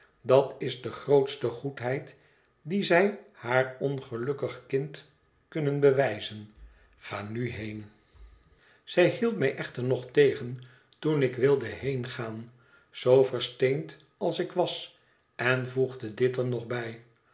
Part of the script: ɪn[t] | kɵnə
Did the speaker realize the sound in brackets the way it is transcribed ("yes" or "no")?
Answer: yes